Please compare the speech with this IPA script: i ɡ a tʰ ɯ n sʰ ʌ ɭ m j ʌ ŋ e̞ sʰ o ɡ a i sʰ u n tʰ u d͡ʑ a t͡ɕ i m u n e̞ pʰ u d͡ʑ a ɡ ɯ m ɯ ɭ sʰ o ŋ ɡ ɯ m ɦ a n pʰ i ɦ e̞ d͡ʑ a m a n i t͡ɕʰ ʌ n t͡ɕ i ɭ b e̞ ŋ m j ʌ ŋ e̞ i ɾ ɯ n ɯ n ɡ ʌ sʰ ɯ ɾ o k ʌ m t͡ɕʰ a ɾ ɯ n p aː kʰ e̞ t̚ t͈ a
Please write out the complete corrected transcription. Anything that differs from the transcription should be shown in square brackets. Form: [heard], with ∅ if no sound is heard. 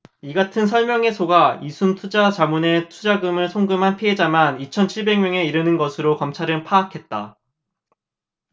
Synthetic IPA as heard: i ɡ a tʰ ɯ n sʰ ʌ ɭ m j ʌ ŋ e̞ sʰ o ɡ a i sʰ u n tʰ u d͡ʑ a t͡ɕ [a] m u n e̞ [tʰ] u d͡ʑ a ɡ ɯ m ɯ ɭ sʰ o ŋ ɡ ɯ m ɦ a n pʰ i ɦ e̞ d͡ʑ a m a n i t͡ɕʰ ʌ n [t͡ɕʰ] i ɭ b e̞ ŋ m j ʌ ŋ e̞ i ɾ ɯ n ɯ n ɡ ʌ sʰ ɯ ɾ o k ʌ m t͡ɕʰ a ɾ ɯ n [pʰ] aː kʰ e̞ t̚ t͈ a